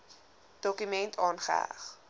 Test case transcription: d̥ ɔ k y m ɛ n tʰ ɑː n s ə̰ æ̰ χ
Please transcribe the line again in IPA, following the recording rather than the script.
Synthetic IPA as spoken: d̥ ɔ k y m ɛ n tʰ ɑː n χ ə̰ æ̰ χ